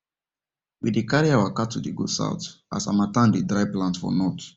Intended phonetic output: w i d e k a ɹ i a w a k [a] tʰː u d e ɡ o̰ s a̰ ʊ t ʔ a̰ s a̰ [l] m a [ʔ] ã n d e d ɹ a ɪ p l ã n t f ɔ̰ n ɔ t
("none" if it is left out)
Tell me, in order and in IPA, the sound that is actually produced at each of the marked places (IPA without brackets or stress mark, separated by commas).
a, none, t